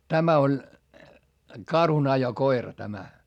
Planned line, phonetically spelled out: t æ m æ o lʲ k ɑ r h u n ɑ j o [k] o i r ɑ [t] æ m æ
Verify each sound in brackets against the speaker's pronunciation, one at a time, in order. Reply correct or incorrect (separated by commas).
correct, correct